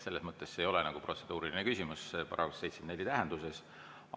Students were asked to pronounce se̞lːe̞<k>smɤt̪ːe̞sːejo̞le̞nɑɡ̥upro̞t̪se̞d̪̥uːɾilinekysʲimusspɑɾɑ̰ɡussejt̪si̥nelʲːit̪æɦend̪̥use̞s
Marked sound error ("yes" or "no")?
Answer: yes